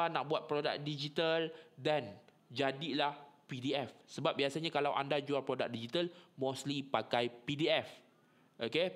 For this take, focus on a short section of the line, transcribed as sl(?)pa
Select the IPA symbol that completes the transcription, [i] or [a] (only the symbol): i